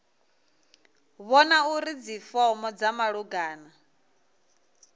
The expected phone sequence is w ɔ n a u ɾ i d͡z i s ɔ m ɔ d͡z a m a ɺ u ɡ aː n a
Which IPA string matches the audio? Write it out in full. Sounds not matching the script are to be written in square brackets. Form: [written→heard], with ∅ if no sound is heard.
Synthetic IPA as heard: [w→β] ɔ n a u ɾ i d͡z i [s→f] ɔ m ɔ d͡z a m a ɺ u ɡ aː n a